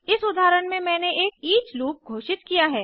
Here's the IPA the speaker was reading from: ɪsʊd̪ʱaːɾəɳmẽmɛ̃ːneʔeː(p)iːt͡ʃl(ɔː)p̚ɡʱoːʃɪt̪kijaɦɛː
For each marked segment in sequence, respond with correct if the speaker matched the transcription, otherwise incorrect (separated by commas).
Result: incorrect, incorrect